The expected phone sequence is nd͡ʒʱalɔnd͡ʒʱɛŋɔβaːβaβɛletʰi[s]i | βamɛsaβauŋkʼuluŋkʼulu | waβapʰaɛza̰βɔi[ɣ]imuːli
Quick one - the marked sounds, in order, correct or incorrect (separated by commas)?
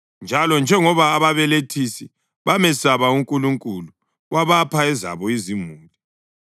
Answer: correct, incorrect